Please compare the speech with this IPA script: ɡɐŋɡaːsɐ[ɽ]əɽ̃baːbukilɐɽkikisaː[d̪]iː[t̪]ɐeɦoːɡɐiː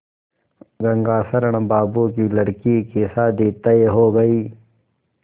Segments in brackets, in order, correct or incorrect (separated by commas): incorrect, correct, correct